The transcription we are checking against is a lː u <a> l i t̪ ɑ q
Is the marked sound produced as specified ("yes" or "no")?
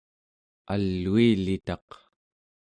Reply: no